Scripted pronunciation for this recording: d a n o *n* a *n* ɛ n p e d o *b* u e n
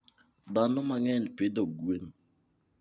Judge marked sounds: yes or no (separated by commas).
no, no, no